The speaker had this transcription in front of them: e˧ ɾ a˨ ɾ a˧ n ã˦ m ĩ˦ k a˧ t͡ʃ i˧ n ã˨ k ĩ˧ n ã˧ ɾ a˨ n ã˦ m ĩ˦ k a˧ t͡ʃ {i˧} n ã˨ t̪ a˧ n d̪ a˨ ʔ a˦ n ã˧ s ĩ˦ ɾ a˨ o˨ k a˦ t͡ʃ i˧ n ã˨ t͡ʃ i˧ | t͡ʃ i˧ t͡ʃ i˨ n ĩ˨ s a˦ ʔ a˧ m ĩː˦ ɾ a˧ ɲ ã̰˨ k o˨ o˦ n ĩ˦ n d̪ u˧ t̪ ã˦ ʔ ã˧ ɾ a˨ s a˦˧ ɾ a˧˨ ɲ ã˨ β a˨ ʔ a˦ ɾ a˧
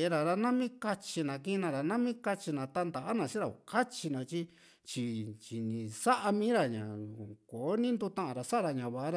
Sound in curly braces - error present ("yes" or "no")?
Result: no